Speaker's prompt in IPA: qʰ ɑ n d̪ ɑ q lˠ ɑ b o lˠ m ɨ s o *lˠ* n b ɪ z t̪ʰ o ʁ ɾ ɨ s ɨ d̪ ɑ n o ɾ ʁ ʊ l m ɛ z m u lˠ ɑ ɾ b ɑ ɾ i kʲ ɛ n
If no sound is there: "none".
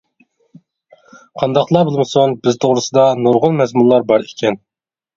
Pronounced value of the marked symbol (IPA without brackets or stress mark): none